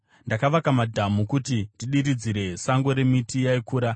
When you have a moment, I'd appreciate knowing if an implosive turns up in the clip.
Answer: yes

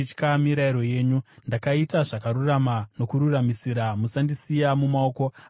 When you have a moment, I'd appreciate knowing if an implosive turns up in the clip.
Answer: no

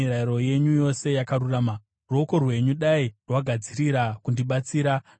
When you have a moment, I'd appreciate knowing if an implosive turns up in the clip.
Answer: yes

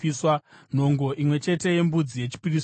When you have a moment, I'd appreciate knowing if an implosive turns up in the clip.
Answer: no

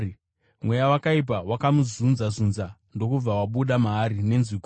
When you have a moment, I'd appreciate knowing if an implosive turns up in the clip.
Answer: yes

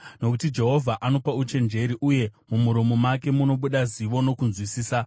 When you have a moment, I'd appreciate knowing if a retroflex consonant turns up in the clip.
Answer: no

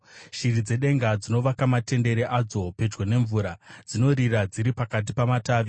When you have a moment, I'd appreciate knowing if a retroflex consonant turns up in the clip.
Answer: no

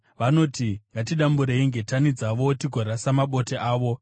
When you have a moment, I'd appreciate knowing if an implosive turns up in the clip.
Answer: yes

